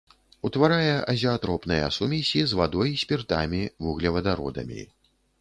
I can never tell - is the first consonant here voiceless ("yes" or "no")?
yes